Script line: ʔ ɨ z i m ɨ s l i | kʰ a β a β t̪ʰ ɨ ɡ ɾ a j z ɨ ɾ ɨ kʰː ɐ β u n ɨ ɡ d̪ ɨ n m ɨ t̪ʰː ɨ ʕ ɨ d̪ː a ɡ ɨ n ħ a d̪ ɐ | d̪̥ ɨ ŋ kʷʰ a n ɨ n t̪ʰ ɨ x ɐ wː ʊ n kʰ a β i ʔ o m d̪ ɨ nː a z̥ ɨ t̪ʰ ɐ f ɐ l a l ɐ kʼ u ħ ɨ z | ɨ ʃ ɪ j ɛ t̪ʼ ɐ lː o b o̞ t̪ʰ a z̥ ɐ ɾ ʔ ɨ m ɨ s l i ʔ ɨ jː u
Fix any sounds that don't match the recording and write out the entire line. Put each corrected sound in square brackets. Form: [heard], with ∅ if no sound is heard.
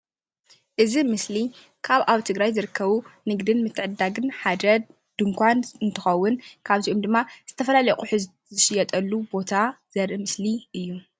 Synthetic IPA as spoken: ʔ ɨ z i m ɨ s l i | kʰ a β a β t̪ʰ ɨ ɡ ɾ a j z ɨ ɾ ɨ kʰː ɐ β u n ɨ ɡ d̪ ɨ n m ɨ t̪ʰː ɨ ʕ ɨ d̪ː a ɡ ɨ n ħ a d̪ ɐ | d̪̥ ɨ ŋ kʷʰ a n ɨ n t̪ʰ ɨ x ɐ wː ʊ n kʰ a β i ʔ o m d̪ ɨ [mː] a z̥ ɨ t̪ʰ ɐ f ɐ l a l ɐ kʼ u ħ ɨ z | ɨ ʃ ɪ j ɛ t̪ʼ ɐ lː [u] b o̞ t̪ʰ a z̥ ɐ ɾ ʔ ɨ m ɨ s l i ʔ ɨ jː u